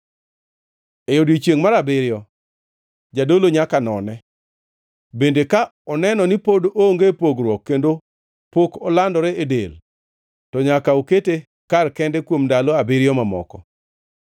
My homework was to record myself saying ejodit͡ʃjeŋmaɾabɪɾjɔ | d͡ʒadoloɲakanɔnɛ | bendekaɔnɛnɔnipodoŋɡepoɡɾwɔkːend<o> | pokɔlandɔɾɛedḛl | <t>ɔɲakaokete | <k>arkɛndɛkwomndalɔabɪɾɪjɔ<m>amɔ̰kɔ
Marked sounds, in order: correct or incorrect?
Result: correct, correct, correct, correct

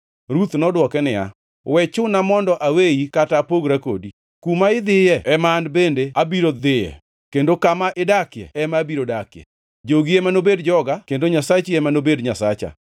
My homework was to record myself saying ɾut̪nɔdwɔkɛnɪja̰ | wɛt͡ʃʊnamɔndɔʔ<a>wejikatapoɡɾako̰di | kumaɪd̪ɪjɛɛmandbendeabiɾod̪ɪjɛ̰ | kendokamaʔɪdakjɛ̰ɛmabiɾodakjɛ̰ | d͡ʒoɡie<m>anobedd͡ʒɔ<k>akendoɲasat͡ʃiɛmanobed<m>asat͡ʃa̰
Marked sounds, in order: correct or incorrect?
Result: correct, correct, incorrect: ɡ, incorrect: ɲ

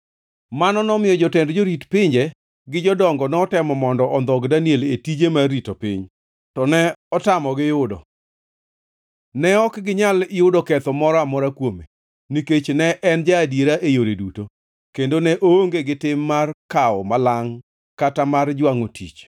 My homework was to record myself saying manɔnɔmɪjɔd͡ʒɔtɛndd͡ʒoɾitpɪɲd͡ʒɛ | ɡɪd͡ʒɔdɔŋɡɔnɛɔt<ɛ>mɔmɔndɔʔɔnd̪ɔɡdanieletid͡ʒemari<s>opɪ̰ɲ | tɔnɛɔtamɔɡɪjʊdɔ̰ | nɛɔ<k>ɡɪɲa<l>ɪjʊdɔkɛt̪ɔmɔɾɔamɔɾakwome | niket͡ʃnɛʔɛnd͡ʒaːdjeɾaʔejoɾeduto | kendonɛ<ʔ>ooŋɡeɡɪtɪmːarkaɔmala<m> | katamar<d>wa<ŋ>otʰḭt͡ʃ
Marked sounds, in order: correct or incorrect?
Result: correct, incorrect: t, correct, correct, correct, incorrect: ŋ, incorrect: d͡ʒ, correct

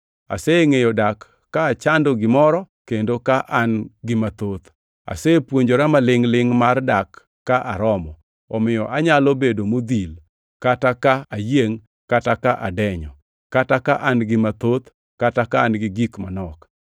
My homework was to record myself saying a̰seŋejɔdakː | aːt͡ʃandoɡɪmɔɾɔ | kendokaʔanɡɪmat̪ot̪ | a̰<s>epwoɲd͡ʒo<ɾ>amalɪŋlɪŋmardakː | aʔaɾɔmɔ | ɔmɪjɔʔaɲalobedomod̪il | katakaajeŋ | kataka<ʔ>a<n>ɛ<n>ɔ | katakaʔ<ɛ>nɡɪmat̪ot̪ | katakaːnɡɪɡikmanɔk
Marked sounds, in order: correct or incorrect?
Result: correct, correct, correct, incorrect: d, incorrect: ɲ, incorrect: a

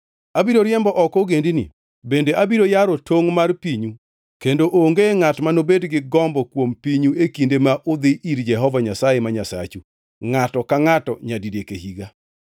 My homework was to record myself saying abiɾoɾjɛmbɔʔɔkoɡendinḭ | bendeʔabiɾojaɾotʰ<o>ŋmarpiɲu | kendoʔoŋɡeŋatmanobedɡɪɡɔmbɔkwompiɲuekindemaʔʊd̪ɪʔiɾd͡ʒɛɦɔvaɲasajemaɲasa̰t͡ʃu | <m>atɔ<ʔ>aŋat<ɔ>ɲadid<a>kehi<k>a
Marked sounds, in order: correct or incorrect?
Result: correct, incorrect: ŋ, incorrect: k, correct, incorrect: e, incorrect: ɡ

